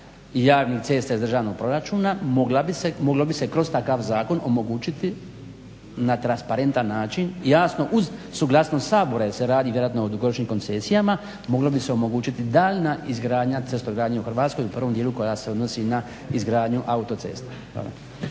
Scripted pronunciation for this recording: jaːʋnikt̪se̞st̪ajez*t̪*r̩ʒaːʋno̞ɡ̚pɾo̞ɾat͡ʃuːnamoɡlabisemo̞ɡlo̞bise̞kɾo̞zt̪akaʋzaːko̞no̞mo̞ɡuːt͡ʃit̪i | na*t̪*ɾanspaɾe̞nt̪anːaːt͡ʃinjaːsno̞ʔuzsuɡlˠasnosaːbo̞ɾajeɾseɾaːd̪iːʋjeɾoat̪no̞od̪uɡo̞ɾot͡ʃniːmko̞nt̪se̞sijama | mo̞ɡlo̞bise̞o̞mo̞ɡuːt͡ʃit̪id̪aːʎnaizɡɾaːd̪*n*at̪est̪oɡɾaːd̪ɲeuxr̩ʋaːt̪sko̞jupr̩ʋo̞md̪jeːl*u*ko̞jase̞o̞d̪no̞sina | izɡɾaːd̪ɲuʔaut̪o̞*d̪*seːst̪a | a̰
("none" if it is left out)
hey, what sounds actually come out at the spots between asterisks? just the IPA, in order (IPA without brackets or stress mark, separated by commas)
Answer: d̪, t̪, ɲ, u, t̪